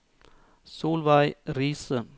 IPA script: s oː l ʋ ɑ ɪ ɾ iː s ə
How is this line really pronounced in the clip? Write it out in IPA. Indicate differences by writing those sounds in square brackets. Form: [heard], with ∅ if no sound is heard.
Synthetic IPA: s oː l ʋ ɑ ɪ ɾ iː s ə

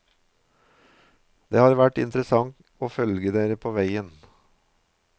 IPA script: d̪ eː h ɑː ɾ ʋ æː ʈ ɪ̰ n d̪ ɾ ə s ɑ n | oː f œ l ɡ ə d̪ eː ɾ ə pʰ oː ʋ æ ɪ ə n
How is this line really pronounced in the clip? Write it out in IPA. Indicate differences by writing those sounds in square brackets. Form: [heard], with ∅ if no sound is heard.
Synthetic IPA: d̪ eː h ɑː ɾ ʋ [æ] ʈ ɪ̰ n [t̪] ɾ ə s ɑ [ŋ] | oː f œ l ɡ ə d̪ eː ɾ ə pʰ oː ʋ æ ɪ ə n

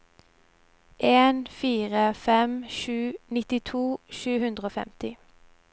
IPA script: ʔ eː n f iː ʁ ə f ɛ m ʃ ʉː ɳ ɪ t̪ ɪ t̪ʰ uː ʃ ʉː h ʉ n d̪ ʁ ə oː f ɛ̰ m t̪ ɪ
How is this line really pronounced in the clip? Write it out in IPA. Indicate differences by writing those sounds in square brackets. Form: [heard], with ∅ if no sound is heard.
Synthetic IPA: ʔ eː n f iː ʁ ə f ɛ m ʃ ʉː [n] ɪ t̪ ɪ t̪ʰ uː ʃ ʉː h ʉ n d̪ ʁ ə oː f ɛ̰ m t̪ ɪ

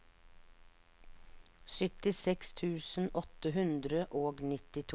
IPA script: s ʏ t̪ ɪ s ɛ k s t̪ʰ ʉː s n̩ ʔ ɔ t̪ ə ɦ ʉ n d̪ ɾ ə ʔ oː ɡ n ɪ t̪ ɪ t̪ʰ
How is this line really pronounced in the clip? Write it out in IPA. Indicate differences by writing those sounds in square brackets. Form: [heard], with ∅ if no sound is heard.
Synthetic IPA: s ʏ t̪ ɪ s ɛ k s t̪ʰ ʉː s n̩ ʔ ɔ t̪ ə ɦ ʉ n d̪ ɾ ə ʔ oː ɡ n ɪ t̪ ɪ t̪ʰ

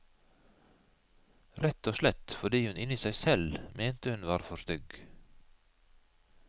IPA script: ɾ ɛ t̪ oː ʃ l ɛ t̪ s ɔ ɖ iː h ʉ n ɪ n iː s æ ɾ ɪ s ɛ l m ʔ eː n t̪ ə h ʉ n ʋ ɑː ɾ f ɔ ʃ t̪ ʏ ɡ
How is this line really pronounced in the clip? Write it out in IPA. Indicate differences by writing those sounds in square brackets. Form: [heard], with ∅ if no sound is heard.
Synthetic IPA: ɾ ɛ t̪ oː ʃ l ɛ t̪ [f] ɔ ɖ iː h ʉ n ɪ n iː s æ [∅] ɪ s ɛ l m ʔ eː n t̪ ə h ʉ n ʋ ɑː ɾ f ɔ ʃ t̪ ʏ ɡ

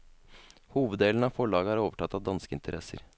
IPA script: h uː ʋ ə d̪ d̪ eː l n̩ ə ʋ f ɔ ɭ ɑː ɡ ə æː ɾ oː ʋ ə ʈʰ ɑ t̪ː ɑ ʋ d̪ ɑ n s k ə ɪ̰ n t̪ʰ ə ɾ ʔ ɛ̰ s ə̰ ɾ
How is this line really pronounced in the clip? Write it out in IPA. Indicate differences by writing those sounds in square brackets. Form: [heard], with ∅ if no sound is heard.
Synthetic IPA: h uː ʋ ə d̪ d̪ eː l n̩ [ɑ] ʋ f ɔ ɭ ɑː ɡ ə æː ɾ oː ʋ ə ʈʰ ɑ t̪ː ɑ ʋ d̪ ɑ n s k ə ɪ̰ n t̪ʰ ə ɾ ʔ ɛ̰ s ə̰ ɾ

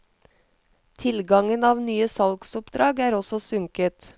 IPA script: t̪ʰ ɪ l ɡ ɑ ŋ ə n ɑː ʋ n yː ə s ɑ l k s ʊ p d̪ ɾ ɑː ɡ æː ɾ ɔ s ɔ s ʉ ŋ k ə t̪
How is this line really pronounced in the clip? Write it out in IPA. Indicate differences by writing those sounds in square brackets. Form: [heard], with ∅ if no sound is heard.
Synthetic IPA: t̪ʰ ɪ l ɡ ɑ ŋ ə n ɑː ʋ n yː ə s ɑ l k s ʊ p d̪ ɾ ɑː ɡ æː ɾ ɔ s ɔ s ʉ ŋ k ə t̪

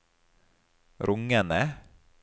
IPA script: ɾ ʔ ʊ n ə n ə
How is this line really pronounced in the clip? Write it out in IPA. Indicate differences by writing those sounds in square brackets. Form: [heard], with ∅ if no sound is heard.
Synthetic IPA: ɾ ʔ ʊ [ŋ] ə n ə

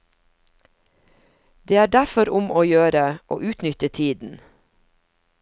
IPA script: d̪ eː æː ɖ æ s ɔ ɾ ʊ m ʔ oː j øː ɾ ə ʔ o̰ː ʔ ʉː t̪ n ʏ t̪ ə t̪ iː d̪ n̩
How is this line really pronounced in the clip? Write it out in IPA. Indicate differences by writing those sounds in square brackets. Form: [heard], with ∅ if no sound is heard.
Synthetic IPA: d̪ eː æː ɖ æ [f] ɔ ɾ ʊ m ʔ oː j øː ɾ ə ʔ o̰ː ʔ ʉː t̪ n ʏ t̪ ə [t̪ʰ] iː d̪ n̩

